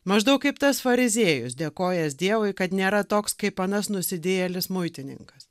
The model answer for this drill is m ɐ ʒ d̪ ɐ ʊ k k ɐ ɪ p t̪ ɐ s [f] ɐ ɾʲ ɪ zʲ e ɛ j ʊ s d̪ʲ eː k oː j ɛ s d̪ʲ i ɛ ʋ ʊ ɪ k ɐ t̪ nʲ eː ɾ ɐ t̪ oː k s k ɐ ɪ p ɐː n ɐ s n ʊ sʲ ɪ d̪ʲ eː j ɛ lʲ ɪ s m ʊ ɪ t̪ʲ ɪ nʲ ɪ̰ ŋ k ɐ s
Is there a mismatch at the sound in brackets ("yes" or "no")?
no